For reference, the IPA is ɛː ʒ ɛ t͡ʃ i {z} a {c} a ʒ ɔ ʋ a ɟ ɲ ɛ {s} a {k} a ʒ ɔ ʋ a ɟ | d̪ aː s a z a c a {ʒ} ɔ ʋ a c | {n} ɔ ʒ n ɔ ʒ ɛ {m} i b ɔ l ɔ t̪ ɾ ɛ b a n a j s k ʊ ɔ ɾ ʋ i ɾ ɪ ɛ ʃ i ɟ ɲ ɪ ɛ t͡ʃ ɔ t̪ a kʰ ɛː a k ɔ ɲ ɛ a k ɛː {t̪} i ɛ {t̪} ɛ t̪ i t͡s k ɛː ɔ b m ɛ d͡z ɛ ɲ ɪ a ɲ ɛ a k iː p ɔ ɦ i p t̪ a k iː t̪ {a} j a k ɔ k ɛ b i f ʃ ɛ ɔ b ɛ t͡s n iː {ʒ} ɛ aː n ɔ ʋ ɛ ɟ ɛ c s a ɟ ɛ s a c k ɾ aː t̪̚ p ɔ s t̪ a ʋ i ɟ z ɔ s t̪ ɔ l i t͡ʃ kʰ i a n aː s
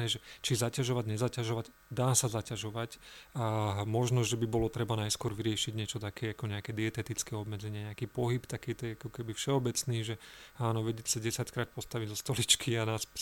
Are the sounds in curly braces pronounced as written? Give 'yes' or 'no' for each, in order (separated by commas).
yes, yes, no, no, yes, no, no, no, yes, no, yes